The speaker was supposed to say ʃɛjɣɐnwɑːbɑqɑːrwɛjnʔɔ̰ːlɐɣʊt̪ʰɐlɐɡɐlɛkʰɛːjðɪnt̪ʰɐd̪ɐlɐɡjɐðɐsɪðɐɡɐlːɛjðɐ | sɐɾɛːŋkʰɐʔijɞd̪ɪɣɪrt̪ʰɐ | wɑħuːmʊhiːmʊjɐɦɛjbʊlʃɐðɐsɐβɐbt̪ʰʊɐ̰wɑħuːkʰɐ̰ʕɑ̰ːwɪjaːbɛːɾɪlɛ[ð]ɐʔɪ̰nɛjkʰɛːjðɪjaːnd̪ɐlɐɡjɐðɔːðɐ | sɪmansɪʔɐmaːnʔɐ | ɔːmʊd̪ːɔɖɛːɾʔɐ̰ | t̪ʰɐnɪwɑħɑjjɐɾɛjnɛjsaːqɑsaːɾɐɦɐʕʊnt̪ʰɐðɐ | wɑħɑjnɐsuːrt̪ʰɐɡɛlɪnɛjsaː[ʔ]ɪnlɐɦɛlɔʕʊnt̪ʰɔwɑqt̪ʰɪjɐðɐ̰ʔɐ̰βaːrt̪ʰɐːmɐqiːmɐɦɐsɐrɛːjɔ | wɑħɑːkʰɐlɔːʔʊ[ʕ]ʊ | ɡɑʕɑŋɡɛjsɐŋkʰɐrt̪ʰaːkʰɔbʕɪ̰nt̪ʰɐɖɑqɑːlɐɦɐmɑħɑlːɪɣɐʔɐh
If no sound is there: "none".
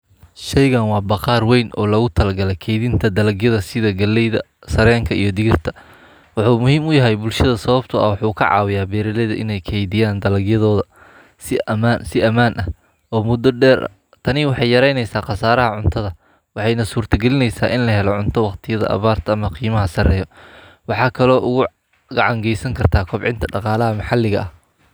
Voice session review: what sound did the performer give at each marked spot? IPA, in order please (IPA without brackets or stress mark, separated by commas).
ð, ʔ, ɣ